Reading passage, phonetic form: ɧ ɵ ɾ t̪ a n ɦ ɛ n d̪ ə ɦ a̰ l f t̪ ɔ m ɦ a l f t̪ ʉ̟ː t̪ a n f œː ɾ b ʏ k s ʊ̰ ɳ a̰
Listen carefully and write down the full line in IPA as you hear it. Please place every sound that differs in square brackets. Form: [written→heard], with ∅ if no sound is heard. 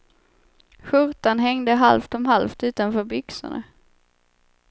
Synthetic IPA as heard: ɧ ɵ ɾ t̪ a n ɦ ɛ [n→ŋ] d̪ ə ɦ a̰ l f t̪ ɔ m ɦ a l f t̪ ʉ̟ː t̪ a n f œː ɾ b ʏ k s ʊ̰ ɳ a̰